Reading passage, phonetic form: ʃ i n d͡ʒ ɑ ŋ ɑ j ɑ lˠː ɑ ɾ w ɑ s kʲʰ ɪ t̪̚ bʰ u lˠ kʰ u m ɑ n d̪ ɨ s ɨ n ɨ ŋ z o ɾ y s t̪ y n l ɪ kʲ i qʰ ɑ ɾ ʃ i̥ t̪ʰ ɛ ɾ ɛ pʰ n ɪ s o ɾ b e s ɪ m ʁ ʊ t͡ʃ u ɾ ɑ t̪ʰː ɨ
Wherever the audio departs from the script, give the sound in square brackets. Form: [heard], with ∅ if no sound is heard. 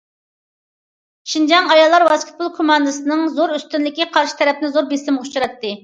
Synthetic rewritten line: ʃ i n d͡ʒ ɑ ŋ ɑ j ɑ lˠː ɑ ɾ w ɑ s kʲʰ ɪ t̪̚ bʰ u lˠ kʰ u m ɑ n d̪ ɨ s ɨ n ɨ ŋ z o ɾ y s t̪ y n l ɪ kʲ i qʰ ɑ ɾ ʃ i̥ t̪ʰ ɛ ɾ ɛ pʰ n ɪ [z] o ɾ b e s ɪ m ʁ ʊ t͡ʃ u ɾ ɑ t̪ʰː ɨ